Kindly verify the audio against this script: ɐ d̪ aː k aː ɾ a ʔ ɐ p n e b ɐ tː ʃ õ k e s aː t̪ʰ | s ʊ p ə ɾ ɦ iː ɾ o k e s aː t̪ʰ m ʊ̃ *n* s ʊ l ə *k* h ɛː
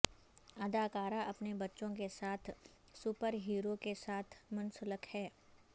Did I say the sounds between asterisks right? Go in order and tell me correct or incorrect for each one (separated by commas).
correct, correct